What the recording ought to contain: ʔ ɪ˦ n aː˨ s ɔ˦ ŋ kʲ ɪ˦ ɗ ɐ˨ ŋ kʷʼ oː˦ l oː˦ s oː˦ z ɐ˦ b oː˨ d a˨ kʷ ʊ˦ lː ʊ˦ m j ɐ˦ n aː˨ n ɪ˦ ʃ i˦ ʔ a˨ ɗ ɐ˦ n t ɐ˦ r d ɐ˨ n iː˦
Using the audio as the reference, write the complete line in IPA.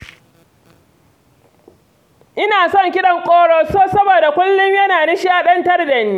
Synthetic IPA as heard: ʔ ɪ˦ n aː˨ s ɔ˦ ŋ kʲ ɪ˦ ɗ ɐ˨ ŋ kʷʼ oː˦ ɽ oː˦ s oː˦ s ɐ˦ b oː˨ d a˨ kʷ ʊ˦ lː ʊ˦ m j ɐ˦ n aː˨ n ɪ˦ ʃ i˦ ʔ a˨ ɗ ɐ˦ n t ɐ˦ r d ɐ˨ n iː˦